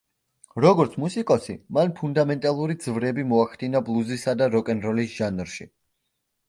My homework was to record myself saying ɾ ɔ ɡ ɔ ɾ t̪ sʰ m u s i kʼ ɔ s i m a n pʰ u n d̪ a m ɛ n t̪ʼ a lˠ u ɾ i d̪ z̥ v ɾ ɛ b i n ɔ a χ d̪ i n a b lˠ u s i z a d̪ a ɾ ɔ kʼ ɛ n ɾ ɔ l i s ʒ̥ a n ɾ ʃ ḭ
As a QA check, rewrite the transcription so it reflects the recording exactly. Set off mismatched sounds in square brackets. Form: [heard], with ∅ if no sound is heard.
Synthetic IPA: ɾ ɔ ɡ ɔ ɾ t̪ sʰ m u s i kʼ ɔ s i m a n pʰ u n d̪ a m ɛ n t̪ʼ a lˠ u ɾ i d̪ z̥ v ɾ ɛ b i [m] ɔ a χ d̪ i n a b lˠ u [z] i [s] a d̪ a ɾ ɔ kʼ ɛ n ɾ ɔ l i s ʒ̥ a n ɾ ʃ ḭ